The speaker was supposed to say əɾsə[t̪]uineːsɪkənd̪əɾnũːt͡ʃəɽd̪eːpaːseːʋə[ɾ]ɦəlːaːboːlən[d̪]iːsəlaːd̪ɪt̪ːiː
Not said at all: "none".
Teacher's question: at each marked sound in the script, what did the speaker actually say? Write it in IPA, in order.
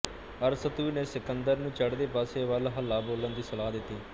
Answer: t̪, l, d̪

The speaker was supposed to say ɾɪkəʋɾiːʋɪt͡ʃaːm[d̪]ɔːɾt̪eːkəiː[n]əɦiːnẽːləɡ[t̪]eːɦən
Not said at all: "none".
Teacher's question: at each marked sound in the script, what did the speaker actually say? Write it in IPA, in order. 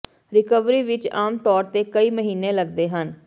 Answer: t̪, m, d̪

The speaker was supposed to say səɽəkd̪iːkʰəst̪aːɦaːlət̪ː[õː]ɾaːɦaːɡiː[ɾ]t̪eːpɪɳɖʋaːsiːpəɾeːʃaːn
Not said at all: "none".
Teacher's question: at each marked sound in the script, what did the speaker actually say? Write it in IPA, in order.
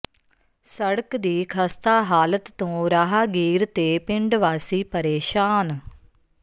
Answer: õː, ɾ

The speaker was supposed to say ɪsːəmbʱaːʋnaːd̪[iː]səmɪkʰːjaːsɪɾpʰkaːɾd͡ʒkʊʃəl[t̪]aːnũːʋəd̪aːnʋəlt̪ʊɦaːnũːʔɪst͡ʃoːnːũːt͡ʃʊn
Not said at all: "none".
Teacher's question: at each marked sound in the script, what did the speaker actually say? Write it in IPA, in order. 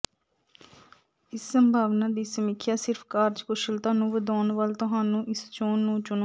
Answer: iː, t̪

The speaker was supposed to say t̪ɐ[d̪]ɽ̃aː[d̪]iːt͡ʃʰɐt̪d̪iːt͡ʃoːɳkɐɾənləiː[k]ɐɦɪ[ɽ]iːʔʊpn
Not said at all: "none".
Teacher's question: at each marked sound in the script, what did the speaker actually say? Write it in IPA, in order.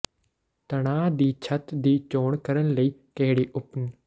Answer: none, d̪, k, ɽ

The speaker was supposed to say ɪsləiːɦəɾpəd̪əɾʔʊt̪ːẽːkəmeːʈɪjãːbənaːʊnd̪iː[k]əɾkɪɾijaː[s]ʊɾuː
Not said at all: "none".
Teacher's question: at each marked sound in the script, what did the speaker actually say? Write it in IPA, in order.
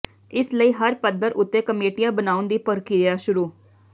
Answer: p, ʃ

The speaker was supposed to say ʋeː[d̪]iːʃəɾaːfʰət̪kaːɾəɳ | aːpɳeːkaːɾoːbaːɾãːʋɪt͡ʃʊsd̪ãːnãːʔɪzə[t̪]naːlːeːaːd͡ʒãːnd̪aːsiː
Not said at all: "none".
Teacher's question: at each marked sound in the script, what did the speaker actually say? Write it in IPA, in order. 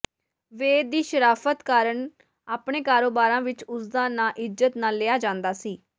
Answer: d̪, t̪

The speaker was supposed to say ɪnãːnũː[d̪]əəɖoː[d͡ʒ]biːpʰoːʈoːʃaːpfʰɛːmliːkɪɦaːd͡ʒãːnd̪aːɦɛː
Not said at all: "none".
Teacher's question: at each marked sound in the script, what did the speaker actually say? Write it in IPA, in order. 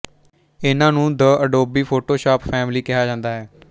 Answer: d̪, none

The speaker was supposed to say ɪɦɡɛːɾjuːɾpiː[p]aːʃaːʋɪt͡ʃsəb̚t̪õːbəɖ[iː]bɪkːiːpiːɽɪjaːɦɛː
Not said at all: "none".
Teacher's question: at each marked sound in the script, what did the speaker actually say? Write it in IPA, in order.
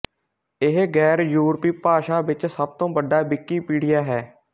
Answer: p, aː

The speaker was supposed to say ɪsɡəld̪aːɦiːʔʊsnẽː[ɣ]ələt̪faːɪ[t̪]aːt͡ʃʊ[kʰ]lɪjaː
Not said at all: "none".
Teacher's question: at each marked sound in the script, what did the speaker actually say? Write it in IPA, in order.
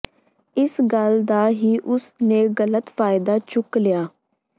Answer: ɣ, d̪, k

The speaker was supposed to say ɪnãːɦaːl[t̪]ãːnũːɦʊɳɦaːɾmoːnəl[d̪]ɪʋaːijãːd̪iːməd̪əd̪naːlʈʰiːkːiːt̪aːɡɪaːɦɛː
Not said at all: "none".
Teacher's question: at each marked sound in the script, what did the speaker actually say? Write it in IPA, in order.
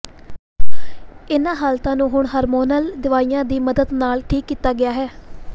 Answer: t̪, d̪

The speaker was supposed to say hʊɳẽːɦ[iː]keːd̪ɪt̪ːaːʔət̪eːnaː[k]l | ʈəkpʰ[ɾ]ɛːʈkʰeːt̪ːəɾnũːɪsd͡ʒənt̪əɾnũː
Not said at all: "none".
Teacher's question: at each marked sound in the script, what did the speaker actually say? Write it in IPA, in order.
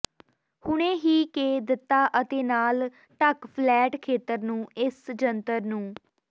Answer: iː, none, l

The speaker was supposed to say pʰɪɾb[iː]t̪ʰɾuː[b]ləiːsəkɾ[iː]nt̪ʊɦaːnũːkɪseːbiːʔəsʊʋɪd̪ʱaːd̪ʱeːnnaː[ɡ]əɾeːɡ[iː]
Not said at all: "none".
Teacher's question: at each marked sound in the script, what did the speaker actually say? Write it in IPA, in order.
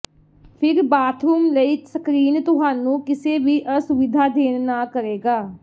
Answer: aː, m, iː, k, aː

